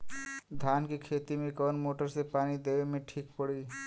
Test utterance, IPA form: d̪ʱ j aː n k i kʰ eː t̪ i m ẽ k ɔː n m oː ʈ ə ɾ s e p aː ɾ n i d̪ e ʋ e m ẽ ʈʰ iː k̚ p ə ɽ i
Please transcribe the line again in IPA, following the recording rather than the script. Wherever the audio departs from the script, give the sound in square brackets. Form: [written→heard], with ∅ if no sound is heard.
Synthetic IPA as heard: d̪ʱ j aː n k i kʰ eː t̪ i m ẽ k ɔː n m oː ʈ ə ɾ s e p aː [ɾ→∅] n i d̪ e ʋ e m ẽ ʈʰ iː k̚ p ə ɽ i